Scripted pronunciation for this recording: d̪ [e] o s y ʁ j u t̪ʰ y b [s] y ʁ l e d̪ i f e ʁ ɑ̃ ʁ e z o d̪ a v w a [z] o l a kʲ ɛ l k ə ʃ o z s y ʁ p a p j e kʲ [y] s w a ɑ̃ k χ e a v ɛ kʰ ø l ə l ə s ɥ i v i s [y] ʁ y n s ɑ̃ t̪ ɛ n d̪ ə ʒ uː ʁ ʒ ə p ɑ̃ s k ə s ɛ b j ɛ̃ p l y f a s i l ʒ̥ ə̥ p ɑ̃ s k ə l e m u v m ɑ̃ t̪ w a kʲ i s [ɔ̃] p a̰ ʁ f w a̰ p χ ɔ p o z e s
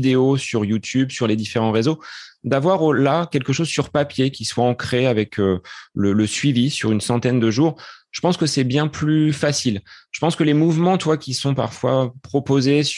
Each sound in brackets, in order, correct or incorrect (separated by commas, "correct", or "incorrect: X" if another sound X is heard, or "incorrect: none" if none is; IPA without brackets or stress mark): correct, correct, incorrect: ʁ, incorrect: i, correct, correct